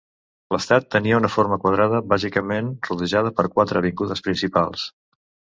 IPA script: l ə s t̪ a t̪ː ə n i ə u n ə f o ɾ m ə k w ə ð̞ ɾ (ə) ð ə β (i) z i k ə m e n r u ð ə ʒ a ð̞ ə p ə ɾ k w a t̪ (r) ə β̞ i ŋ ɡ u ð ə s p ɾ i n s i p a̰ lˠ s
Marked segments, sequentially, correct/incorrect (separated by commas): incorrect, incorrect, incorrect